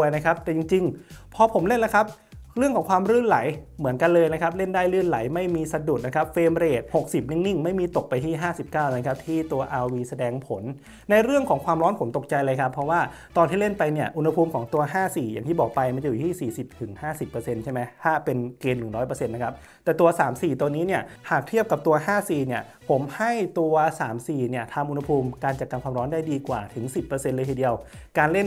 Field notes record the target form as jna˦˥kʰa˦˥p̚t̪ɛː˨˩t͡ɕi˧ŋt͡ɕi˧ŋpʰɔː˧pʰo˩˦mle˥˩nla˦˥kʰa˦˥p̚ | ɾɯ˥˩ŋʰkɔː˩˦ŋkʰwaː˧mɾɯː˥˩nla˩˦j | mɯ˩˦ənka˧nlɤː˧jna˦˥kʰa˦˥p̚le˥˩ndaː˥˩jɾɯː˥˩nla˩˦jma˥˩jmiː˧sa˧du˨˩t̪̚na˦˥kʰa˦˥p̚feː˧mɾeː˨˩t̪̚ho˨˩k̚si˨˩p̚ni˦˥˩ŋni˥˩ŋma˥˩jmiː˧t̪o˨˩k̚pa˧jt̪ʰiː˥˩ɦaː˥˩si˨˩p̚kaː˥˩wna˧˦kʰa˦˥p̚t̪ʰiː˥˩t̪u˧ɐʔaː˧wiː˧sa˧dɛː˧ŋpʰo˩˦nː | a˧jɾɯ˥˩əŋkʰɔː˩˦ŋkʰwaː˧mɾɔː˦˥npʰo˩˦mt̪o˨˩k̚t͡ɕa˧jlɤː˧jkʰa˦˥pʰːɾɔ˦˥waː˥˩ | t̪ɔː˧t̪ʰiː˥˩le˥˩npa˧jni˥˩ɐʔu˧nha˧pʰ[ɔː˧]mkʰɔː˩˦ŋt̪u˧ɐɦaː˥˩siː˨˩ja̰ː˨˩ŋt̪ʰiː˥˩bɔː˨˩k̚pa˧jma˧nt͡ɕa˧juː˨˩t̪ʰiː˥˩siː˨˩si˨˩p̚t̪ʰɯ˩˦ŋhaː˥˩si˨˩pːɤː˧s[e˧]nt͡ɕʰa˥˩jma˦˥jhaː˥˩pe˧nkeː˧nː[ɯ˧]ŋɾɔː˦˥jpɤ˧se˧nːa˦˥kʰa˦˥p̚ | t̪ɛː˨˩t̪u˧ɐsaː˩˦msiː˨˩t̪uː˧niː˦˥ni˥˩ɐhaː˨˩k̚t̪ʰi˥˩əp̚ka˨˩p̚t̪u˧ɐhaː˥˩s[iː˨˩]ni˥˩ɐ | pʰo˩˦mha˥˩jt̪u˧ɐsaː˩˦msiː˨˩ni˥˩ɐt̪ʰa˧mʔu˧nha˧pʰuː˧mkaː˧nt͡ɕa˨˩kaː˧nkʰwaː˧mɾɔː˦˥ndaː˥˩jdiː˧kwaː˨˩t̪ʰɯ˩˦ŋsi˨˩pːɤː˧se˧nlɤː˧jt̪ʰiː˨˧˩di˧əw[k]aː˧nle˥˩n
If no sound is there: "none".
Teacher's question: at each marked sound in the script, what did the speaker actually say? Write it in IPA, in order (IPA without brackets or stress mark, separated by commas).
uː˧, e˧, ɯ˨˩, iː˨˩, k